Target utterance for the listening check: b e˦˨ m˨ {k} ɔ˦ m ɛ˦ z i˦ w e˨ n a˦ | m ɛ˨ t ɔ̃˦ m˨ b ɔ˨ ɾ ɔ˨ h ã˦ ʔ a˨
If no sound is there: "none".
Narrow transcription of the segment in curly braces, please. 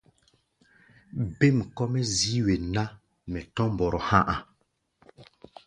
k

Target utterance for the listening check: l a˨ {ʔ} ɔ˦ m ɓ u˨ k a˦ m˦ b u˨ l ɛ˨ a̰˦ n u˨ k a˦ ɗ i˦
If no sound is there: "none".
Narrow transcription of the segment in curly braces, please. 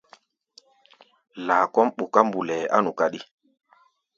k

